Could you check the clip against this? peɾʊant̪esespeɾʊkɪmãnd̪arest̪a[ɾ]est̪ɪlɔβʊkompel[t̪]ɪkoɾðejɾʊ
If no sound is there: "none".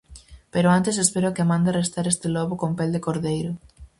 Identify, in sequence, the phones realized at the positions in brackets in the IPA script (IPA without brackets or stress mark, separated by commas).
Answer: ɾ, d̪